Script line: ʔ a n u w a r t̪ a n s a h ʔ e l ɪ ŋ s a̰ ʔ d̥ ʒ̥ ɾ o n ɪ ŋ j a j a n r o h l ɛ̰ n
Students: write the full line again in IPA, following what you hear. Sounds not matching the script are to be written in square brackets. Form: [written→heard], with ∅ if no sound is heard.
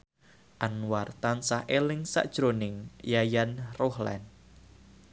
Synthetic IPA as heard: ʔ a n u w a r t̪ a n s a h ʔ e l ɪ ŋ s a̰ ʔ d̥ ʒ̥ ɾ o n ɪ ŋ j a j a n r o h l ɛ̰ n